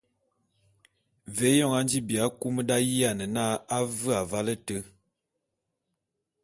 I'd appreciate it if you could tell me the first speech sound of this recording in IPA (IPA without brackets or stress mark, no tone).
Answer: v